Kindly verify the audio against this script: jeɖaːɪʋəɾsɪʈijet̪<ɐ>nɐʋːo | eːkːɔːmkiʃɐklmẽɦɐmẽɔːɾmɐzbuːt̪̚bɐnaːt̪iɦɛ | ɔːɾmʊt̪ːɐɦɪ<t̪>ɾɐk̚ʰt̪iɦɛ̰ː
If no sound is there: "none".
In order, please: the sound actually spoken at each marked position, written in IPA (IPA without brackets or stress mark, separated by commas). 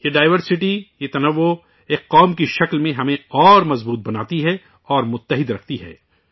ɐ, d̪